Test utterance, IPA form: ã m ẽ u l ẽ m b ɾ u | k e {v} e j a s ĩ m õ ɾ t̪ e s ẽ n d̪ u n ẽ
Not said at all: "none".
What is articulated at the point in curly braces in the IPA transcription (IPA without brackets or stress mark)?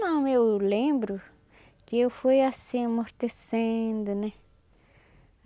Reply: f